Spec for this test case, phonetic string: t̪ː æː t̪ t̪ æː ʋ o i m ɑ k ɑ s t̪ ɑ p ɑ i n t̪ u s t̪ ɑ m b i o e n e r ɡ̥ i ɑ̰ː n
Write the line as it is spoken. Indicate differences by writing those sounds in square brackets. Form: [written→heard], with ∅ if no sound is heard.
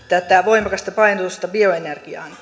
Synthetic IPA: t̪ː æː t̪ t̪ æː ʋ o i m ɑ k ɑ s t̪ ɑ p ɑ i n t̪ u s t̪ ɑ [m→∅] b i o e n e r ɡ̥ i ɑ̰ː n